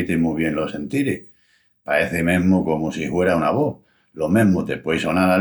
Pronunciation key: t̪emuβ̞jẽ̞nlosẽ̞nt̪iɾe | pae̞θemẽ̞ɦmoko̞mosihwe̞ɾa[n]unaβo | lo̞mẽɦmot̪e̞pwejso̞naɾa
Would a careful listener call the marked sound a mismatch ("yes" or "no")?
yes